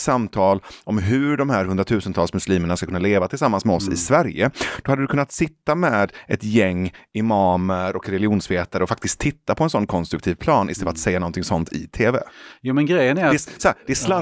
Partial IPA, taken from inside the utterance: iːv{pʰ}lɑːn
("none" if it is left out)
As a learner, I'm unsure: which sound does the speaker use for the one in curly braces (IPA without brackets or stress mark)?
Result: pʰ